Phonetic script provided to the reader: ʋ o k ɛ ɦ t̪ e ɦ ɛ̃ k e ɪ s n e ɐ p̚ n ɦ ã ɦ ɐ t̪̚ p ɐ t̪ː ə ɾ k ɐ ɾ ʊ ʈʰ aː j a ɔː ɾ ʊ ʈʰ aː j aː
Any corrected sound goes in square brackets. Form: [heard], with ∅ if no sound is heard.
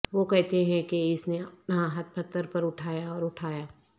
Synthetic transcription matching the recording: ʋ o k ɛ ɦ t̪ e ɦ ɛ̃ k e ɪ s n e ɐ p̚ n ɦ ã ɦ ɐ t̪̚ p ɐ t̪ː ə ɾ [p] ɐ ɾ ʊ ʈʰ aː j a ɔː ɾ ʊ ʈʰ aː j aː